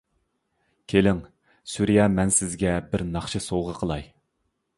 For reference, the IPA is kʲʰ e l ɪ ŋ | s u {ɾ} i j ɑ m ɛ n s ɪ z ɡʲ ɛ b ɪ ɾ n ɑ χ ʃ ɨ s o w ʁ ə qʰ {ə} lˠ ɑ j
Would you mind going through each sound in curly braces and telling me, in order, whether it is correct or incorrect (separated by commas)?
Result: correct, correct